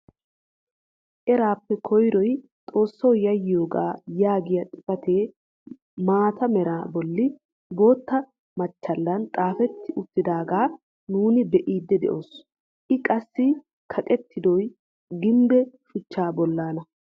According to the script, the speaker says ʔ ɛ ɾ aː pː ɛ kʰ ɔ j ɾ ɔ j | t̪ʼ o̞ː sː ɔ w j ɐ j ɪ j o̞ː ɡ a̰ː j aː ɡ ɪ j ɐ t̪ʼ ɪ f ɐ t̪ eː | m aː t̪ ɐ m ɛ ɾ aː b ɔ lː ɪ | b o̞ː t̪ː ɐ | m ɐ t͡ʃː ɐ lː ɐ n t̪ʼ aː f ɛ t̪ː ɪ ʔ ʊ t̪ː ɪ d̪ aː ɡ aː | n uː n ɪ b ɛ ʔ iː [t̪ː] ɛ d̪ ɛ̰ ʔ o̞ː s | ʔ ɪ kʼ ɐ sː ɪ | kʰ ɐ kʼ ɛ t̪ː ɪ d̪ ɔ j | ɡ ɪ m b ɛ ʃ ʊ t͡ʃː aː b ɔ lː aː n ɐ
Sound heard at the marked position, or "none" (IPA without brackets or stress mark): d̪ː